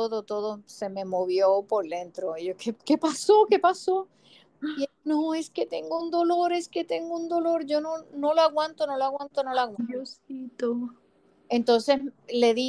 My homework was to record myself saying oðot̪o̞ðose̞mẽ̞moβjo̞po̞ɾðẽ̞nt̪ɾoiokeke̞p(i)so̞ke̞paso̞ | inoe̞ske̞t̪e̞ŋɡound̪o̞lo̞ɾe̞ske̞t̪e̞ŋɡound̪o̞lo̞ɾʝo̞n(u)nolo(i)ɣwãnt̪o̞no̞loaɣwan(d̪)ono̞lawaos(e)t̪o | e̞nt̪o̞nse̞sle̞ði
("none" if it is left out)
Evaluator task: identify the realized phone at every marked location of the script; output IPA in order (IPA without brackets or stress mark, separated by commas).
a, o, a, t̪, i